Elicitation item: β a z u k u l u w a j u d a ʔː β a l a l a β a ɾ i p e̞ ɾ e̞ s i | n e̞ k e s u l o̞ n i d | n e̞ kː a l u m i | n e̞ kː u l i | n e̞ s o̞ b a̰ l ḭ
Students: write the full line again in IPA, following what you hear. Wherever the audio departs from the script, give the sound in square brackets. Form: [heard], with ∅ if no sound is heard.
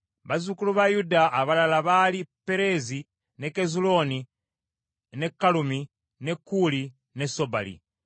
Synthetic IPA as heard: β a z u k u l u [β] a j u d a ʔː β a l a l a β a [l] i p e̞ ɾ e̞ [z] i | n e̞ k e [z] u l o̞ n i [∅] | n e̞ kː a l u m i | n e̞ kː u l i | n e̞ s o̞ b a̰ l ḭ